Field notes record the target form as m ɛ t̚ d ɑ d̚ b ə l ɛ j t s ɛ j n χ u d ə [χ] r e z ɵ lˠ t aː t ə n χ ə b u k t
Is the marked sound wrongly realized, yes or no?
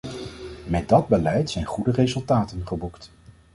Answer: yes